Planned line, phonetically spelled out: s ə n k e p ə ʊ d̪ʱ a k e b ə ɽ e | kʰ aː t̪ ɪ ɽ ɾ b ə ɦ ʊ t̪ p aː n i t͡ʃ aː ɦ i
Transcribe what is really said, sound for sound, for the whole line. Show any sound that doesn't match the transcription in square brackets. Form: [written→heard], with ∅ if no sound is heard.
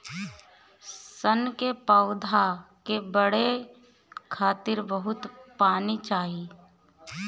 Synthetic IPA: s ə n k e p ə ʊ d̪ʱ a k e b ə ɽ e | kʰ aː t̪ ɪ [ɽ→∅] ɾ b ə ɦ ʊ t̪ p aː n i t͡ʃ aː ɦ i

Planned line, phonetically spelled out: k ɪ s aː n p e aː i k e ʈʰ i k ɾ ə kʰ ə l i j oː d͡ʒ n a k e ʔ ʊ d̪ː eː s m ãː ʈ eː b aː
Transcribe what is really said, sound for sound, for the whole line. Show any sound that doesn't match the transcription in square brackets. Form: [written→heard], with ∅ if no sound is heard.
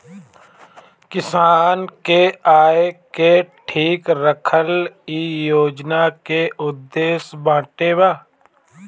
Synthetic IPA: k ɪ s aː n [p→k] e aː [i→e] k e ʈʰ [i→iː] k ɾ ə kʰ ə l i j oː d͡ʒ n a k e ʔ ʊ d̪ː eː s [m→b] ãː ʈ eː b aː

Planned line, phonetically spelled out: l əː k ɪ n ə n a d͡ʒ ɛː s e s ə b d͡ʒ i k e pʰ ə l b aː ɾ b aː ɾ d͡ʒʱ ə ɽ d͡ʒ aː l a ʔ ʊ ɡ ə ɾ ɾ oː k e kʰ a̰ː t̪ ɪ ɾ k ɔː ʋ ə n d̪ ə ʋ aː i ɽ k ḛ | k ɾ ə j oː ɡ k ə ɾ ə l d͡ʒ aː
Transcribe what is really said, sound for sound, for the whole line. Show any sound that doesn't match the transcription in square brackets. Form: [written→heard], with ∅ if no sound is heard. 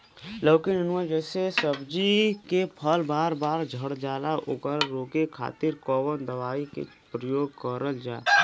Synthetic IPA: l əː k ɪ n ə n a d͡ʒ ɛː s e s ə b d͡ʒ i k e pʰ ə l b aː ɾ b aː ɾ d͡ʒʱ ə ɽ d͡ʒ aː l a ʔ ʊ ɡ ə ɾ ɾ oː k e kʰ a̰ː t̪ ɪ ɾ k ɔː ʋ ə n d̪ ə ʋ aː i [ɽ→∅] k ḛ | [k→p] ɾ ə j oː ɡ k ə ɾ ə l d͡ʒ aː

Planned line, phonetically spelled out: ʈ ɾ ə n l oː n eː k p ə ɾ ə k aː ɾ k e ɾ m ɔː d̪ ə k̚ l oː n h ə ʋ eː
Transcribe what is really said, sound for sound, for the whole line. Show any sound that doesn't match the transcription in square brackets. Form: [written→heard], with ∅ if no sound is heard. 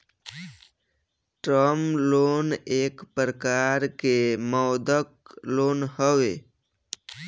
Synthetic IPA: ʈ ɾ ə [n→m] l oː n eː k p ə ɾ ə k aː ɾ k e [ɾ→∅] m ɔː d̪ ə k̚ l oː n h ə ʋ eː

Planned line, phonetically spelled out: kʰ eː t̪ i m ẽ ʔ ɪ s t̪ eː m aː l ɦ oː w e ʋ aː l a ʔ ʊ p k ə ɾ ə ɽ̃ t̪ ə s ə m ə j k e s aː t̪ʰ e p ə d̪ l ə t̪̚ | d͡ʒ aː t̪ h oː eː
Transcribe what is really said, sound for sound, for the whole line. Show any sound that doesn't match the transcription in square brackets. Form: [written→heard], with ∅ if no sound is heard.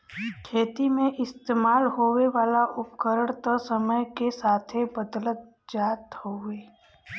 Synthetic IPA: kʰ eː t̪ i m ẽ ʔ ɪ s t̪ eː m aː l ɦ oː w e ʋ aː l a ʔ ʊ p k ə ɾ ə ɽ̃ t̪ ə s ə m ə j k e s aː t̪ʰ e [p→b] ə d̪ l ə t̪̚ | d͡ʒ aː t̪ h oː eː

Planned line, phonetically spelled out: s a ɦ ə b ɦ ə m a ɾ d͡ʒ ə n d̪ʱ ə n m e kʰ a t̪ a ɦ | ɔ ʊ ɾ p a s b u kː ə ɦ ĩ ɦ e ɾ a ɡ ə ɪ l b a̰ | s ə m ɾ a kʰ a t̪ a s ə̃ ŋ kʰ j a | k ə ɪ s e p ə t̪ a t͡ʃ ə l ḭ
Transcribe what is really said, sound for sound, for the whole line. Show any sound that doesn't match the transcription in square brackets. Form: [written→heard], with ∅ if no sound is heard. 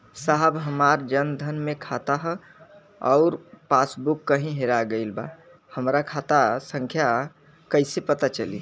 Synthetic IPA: s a ɦ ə b ɦ ə m a ɾ d͡ʒ ə n d̪ʱ ə n m e kʰ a t̪ a ɦ | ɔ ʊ ɾ p a s b u kː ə ɦ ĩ ɦ e ɾ a ɡ ə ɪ l b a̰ | [s→h] ə m ɾ a kʰ a t̪ a s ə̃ ŋ kʰ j a | k ə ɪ s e p ə t̪ a t͡ʃ ə l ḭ

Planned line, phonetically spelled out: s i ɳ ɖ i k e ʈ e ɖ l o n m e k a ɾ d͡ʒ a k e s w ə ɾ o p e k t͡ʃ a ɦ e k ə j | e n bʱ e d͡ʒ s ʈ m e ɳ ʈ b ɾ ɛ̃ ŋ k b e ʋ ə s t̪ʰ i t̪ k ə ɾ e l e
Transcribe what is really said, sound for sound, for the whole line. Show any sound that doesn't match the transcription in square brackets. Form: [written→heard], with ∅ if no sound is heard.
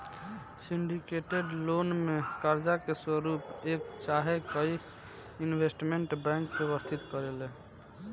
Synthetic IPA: s i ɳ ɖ i k e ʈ e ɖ l o n m e k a ɾ d͡ʒ a k e s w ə ɾ [o→u] p e k t͡ʃ a ɦ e k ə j | [e→i] n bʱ e [d͡ʒ→∅] s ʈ m e ɳ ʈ b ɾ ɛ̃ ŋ k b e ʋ ə s t̪ʰ i t̪ k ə ɾ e l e

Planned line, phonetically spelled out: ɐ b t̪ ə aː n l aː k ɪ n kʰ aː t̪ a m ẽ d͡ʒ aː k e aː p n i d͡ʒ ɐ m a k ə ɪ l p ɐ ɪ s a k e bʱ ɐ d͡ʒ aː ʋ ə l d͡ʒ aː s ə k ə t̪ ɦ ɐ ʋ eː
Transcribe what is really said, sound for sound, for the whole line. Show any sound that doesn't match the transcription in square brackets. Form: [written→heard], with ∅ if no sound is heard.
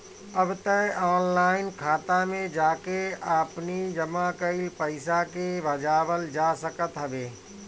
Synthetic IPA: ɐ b t̪ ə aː n l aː [k→∅] ɪ n kʰ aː t̪ a m ẽ d͡ʒ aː k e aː p n i d͡ʒ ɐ m a k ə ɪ l p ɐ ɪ s a k e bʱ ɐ d͡ʒ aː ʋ ə l d͡ʒ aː s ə k ə t̪ ɦ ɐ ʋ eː

